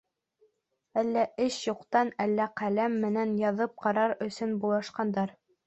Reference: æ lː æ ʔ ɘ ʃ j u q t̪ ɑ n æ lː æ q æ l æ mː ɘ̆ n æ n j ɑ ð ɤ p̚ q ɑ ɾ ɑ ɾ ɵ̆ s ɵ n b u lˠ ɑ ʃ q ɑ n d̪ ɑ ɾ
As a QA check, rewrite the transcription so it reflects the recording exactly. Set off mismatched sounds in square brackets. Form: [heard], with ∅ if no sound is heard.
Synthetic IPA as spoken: æ lː æ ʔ ɘ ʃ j u q t̪ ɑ n æ lː æ q æ l æ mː ɘ̆ n æ n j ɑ ð ɤ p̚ q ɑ ɾ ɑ ɾ ɵ̆ s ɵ n b u lˠ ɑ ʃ q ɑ n d̪ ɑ ɾ